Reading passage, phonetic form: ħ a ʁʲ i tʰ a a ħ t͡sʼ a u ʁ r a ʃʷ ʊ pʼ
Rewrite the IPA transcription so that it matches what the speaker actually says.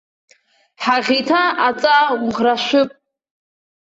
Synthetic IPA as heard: ħ a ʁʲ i tʰ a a t͡sʼ a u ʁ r a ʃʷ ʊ pʼ